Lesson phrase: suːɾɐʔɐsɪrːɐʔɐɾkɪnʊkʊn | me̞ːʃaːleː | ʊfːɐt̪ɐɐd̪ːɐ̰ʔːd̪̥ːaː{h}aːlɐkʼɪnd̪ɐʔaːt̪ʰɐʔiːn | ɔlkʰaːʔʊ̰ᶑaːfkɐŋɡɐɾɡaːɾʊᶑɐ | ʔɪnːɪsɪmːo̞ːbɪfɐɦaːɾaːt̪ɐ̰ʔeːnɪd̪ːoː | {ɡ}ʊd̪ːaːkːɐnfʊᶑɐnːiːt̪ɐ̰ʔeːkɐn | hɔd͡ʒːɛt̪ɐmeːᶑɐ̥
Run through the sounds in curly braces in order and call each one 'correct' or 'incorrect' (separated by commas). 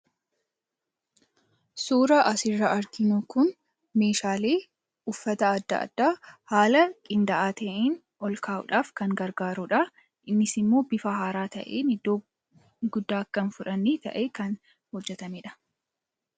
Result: correct, correct